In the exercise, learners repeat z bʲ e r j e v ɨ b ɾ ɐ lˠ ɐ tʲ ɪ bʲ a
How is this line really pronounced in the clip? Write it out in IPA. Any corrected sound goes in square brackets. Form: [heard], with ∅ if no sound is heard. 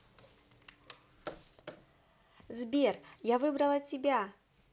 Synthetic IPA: z bʲ e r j [a] v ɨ b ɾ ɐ lˠ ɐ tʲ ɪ bʲ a

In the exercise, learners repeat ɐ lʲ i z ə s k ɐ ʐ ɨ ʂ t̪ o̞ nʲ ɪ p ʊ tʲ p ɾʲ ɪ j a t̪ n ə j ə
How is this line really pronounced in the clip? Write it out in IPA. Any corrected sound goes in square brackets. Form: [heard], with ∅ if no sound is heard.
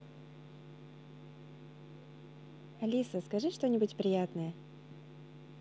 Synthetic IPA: ɐ lʲ i [s] ə s k ɐ ʐ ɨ ʂ t̪ o̞ nʲ ɪ [b] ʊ tʲ p ɾʲ ɪ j a t̪ n ə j ə

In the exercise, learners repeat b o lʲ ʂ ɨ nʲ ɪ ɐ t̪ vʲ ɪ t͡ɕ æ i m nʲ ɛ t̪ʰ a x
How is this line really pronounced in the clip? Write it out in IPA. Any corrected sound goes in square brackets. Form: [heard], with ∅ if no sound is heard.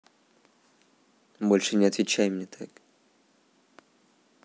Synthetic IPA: b o lʲ ʂ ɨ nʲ ɪ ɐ t̪ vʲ ɪ t͡ɕ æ [j] m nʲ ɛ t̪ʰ a [k]

